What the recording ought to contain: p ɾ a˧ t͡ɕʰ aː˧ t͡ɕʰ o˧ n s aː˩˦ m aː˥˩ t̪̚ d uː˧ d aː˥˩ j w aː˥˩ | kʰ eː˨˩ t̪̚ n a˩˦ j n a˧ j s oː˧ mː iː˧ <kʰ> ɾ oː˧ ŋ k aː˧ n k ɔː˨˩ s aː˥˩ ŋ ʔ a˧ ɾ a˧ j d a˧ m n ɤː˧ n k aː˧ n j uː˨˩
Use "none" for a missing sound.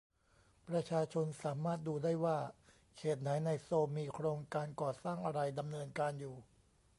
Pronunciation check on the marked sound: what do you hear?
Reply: kʰ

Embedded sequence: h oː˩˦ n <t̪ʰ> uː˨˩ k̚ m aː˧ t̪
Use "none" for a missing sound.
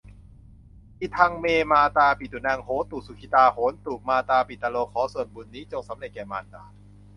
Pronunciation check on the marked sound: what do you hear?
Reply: t̪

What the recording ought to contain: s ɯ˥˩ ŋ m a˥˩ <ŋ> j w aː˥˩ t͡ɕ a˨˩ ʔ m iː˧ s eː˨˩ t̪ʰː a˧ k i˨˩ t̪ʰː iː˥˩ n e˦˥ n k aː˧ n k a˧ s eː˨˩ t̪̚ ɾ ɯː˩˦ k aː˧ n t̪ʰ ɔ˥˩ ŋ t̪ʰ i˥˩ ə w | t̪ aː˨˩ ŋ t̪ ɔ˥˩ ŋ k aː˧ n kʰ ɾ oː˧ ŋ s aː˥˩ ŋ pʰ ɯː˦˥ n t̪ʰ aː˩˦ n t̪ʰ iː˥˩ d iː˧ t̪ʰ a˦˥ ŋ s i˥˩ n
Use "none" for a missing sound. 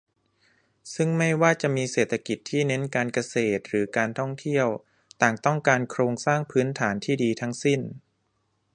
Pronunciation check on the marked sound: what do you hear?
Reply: none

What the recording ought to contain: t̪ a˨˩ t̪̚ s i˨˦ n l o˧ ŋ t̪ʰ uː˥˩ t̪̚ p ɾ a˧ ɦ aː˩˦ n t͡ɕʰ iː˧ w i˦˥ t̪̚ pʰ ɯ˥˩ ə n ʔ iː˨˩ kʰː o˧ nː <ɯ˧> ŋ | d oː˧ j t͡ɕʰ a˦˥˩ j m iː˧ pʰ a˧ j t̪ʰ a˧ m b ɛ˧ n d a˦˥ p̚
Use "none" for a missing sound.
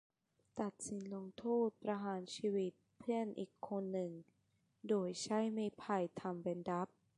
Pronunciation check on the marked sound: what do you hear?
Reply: ɯ˨˩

